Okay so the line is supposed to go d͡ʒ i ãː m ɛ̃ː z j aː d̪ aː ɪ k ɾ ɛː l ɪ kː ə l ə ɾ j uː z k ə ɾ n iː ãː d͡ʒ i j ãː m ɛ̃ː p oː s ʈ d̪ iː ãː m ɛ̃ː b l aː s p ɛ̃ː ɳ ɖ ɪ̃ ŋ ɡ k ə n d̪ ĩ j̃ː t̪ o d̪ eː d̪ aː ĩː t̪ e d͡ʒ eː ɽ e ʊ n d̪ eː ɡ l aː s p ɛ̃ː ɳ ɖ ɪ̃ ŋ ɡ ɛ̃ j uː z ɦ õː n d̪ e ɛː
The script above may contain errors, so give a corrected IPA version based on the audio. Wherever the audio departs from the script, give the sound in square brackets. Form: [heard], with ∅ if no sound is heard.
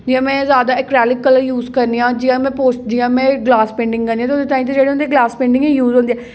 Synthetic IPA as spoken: d͡ʒ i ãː m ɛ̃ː z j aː d̪ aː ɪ k ɾ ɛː l ɪ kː ə l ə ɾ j uː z k ə ɾ n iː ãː d͡ʒ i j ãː m ɛ̃ː p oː s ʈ d̪ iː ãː m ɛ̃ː [ɡ] l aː s p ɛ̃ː ɳ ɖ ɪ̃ ŋ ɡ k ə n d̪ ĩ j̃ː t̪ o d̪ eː [t̪] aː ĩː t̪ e d͡ʒ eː ɽ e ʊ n d̪ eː ɡ l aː s p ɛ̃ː ɳ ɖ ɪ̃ ŋ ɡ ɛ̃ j uː z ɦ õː n d̪ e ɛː